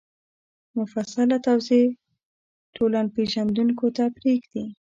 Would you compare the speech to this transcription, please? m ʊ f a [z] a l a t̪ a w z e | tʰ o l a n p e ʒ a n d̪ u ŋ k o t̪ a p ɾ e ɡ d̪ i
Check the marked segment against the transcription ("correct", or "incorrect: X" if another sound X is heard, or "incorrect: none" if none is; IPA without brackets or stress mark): incorrect: s